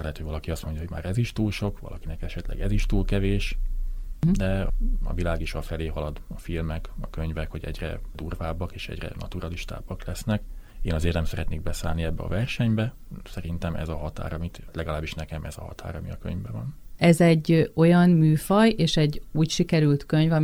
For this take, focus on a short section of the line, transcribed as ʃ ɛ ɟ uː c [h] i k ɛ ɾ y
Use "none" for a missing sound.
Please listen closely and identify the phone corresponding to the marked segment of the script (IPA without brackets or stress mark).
ʃ